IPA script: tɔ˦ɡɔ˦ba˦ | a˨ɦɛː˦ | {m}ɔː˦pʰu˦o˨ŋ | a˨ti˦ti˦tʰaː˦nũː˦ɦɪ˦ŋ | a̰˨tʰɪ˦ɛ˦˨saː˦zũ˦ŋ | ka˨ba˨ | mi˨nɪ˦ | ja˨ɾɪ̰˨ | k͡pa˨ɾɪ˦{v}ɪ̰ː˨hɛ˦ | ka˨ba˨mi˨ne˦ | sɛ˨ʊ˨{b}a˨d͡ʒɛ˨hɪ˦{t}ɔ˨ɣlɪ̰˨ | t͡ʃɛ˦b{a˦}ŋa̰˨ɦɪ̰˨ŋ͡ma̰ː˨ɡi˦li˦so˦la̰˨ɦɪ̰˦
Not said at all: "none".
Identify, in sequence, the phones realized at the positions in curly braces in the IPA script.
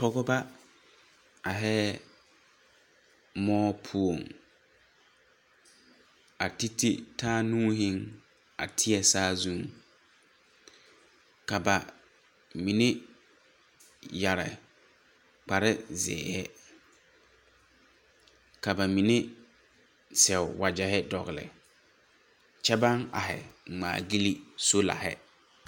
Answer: m, z, w, d, a˦

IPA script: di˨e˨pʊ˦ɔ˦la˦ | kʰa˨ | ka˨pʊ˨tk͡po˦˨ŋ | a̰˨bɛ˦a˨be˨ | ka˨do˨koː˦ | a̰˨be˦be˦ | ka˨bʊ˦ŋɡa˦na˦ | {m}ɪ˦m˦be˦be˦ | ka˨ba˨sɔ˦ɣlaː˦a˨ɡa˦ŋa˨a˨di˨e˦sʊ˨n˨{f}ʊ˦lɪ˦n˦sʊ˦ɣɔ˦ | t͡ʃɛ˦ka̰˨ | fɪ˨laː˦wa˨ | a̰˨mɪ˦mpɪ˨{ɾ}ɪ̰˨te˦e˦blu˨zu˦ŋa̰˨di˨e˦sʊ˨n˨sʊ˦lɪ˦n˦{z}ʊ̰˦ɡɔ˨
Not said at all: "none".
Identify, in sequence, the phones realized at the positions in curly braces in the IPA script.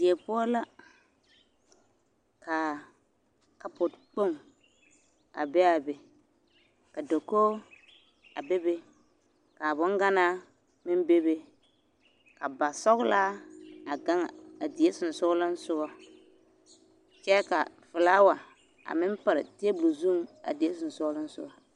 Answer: m, s, ɾ, s

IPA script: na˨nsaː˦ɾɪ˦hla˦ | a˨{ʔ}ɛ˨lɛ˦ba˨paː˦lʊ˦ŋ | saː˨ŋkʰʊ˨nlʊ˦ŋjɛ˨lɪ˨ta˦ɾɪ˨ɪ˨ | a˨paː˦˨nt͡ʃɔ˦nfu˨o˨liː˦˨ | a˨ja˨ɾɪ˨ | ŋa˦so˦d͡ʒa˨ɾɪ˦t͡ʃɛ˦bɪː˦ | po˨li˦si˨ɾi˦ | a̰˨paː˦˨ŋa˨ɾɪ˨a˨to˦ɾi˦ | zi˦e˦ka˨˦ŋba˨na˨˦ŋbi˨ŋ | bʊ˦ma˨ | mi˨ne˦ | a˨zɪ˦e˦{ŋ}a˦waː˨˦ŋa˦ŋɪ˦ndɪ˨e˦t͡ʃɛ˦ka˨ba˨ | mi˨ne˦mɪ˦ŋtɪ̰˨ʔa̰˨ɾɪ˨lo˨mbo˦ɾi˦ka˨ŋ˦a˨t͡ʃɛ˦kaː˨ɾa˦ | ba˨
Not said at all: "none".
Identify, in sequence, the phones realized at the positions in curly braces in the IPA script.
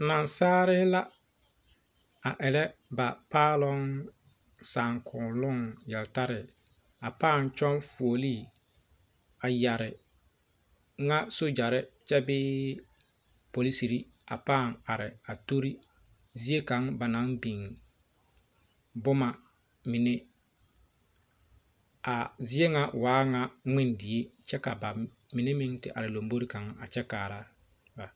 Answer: ʔ, ŋ

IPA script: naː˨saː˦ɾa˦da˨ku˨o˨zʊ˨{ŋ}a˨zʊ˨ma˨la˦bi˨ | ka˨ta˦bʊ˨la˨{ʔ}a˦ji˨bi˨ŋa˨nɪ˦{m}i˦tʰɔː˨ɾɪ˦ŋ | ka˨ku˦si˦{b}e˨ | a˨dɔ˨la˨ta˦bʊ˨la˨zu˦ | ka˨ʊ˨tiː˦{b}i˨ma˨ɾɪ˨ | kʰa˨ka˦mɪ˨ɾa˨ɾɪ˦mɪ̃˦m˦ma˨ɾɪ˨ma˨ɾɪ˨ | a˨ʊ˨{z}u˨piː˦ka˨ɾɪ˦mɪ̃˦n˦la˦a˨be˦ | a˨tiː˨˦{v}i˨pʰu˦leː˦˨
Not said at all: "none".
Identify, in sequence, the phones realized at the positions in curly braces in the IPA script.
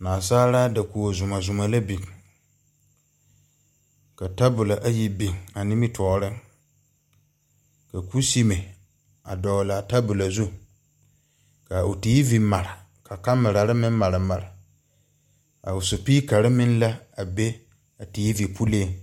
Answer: m, ʔ, m, m, v, s, v

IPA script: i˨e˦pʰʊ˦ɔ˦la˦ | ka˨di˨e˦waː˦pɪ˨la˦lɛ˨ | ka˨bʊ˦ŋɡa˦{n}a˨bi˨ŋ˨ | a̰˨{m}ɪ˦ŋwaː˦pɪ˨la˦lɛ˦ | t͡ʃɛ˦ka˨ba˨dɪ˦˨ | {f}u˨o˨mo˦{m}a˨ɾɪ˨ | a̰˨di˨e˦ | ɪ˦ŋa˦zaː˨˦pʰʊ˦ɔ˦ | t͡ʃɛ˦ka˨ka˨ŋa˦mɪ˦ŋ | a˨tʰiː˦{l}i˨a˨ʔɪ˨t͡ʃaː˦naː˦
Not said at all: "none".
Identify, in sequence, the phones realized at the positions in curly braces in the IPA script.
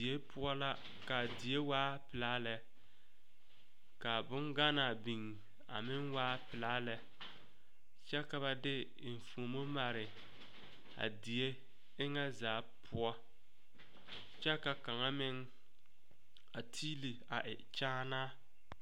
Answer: n, m, f, m, l

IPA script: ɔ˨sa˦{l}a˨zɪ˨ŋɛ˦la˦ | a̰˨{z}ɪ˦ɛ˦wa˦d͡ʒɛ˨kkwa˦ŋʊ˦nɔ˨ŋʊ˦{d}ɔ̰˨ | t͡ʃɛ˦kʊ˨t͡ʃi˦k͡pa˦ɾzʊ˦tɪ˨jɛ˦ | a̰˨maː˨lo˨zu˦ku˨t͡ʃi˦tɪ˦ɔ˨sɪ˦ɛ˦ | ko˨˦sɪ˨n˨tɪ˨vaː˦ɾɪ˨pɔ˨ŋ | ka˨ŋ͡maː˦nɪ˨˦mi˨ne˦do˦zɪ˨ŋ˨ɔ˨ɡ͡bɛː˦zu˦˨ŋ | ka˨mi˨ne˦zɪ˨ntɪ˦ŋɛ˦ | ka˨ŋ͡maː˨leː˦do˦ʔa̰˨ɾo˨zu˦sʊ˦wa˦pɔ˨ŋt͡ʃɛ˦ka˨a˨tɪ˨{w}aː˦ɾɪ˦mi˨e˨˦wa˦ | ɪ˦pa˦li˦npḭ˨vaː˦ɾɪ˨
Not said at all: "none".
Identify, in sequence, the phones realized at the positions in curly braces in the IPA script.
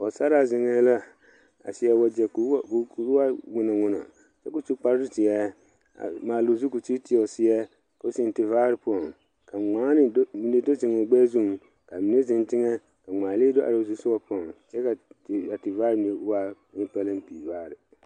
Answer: ɾ, s, n, v

